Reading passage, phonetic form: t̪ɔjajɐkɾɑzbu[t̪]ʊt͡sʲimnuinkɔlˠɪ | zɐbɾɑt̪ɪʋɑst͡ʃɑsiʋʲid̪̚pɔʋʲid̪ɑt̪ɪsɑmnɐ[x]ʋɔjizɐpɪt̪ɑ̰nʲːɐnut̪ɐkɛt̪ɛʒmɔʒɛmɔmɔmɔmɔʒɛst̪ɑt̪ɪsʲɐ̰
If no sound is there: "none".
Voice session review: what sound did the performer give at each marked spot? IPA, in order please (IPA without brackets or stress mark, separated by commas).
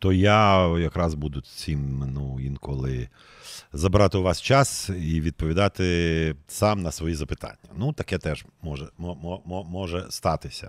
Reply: d̪, s